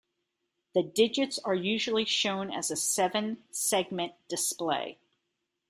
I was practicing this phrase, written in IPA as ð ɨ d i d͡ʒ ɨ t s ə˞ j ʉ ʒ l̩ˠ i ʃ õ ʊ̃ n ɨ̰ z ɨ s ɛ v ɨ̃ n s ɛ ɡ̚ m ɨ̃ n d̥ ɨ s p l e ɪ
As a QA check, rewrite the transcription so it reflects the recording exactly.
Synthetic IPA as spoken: ð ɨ d ɪ d͡ʒ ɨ t s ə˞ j ʉ ʒ l̩ˠ i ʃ õ ʊ̃ n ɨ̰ z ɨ s ɛ v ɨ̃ n s ɛ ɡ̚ m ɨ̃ n d̥ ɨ s p l e ɪ